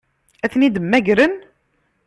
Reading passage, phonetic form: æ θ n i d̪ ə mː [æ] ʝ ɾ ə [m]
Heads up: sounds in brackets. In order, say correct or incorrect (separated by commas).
correct, incorrect